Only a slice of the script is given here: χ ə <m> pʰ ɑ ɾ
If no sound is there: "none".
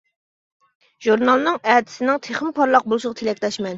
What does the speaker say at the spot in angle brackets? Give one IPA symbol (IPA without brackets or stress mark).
m